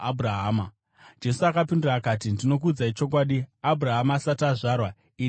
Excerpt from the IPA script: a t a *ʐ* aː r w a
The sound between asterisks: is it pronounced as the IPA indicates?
yes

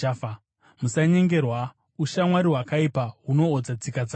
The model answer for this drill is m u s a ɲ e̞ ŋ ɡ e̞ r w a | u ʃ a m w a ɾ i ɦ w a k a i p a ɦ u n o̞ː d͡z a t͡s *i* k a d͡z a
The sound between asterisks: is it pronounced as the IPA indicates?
yes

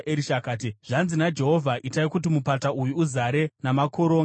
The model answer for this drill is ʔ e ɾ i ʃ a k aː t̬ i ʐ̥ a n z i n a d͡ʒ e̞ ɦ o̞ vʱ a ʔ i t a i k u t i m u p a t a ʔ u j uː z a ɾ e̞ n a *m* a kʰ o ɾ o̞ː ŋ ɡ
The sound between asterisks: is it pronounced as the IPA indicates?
yes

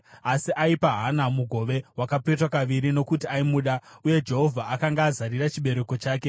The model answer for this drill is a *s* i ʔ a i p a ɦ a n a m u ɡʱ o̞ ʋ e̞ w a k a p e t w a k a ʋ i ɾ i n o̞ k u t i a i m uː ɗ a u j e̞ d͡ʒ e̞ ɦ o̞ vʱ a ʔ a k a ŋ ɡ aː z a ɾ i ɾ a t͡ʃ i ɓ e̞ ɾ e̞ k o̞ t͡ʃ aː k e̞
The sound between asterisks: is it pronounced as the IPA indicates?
yes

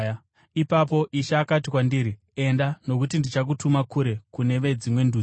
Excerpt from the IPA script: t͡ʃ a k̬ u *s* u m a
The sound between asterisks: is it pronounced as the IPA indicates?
no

